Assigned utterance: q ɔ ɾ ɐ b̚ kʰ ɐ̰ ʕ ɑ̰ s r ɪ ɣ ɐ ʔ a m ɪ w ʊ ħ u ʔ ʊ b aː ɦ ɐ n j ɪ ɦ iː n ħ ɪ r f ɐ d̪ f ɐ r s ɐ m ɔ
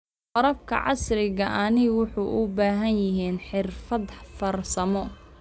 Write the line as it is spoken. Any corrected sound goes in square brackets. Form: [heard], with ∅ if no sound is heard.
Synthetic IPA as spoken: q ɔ ɾ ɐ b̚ kʰ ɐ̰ ʕ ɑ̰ s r ɪ ɣ ɐ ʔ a [n] ɪ w ʊ ħ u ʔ ʊ b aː ɦ ɐ n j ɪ ɦ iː n ħ ɪ r f ɐ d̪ f ɐ r s ɐ m ɔ